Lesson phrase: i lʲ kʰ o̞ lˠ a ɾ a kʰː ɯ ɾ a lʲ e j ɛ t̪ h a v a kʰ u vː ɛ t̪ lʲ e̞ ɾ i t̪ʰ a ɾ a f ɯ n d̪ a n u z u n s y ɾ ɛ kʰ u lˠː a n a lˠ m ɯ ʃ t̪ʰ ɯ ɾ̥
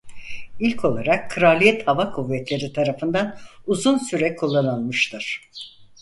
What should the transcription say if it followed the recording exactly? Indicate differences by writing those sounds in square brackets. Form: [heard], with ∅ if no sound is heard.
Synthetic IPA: i lʲ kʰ o̞ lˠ a ɾ a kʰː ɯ ɾ a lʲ [i] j ɛ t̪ h a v a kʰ u vː ɛ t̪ lʲ e̞ ɾ i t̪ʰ a ɾ a f ɯ n d̪ a n u z u n s y ɾ ɛ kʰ u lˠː a n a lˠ m ɯ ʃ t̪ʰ ɯ ɾ̥